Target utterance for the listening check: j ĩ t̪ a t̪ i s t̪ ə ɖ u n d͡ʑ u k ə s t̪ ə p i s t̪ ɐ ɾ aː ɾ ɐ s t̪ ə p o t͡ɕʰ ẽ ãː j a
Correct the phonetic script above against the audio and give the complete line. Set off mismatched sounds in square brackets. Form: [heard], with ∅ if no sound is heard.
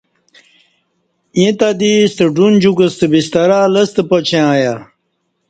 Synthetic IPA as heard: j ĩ t̪ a [d̪] i s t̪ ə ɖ u n d͡ʑ u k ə s t̪ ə [b] i s t̪ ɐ ɾ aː [l] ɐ s t̪ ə p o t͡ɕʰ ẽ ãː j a

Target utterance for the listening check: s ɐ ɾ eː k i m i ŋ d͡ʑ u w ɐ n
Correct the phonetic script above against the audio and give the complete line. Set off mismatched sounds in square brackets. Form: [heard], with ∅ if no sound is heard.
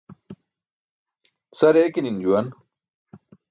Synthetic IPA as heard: s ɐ ɾ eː k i [n] i [n] d͡ʑ u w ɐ n

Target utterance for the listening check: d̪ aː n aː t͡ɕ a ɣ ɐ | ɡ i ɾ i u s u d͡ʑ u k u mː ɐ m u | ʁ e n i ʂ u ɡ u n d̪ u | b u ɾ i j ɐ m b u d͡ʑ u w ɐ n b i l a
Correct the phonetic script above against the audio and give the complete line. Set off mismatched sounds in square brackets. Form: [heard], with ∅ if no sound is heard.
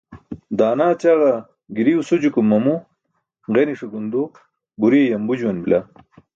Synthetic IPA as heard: d̪ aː n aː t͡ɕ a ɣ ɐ | ɡ i ɾ i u s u d͡ʑ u k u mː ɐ m u | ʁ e n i ʂ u ɡ u n d̪ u | b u ɾ i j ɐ m b u d͡ʑ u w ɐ n b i l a

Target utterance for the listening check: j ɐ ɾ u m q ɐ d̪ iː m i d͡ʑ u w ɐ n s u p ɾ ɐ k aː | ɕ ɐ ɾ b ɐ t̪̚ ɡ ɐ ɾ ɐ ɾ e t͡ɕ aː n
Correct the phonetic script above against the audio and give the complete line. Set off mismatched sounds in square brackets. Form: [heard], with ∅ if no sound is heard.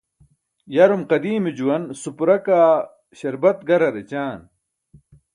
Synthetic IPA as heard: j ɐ ɾ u m q ɐ d̪ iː m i d͡ʑ u w ɐ n s u p ɾ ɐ k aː | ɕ ɐ ɾ b ɐ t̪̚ ɡ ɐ ɾ ɐ ɾ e t͡ɕ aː n

